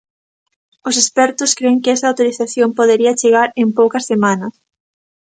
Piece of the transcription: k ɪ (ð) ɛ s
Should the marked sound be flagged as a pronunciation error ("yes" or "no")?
yes